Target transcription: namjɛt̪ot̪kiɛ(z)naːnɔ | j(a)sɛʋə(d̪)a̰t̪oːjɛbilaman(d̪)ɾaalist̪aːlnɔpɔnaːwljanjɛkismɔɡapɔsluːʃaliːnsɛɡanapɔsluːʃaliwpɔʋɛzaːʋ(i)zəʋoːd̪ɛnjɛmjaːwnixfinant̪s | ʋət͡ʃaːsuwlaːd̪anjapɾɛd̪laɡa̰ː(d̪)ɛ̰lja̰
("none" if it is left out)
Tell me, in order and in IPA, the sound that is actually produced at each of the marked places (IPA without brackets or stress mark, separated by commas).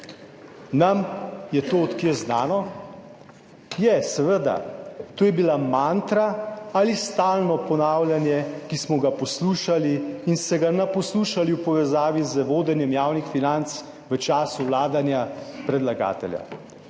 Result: z, ɛ, d̪, t̪, i, t̪